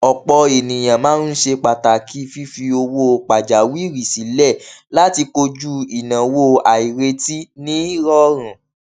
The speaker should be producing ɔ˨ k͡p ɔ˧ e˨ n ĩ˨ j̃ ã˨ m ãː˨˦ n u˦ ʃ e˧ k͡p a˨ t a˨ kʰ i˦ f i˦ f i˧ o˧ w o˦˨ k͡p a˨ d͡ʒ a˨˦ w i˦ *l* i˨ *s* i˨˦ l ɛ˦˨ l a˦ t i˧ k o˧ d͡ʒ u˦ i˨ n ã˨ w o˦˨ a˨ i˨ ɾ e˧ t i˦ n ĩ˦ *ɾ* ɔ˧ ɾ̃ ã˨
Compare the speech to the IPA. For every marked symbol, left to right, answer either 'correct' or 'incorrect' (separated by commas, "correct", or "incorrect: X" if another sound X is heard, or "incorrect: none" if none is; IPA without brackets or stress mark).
incorrect: ɾ, correct, correct